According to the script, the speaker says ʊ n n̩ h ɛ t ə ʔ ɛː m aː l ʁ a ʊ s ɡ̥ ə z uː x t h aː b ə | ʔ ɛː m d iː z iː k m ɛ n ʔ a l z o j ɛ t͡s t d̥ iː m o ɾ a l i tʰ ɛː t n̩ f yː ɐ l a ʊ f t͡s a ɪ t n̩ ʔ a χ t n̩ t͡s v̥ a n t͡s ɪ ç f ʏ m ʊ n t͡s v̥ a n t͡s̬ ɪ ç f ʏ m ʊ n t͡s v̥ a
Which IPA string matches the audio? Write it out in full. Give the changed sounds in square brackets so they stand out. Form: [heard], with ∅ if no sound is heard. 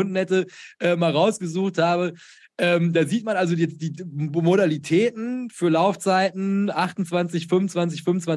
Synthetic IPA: ʊ n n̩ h ɛ t ə ʔ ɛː m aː l ʁ a ʊ s ɡ̥ ə z uː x t h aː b ə | ʔ ɛː m d [aː] z iː [t] m [a] n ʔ a l z o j ɛ t͡s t d̥ iː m o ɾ a l i tʰ ɛː t n̩ f yː ɐ l a ʊ f t͡s a ɪ t n̩ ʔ a χ t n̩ t͡s v̥ a n t͡s ɪ ç f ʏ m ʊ n t͡s v̥ a n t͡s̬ ɪ ç f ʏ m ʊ n t͡s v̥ a